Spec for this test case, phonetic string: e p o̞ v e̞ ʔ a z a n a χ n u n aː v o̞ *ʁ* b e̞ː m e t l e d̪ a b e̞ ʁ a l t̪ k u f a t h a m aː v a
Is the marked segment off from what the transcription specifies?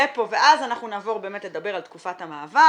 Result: no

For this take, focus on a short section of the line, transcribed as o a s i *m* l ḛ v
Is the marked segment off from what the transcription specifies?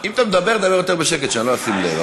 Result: no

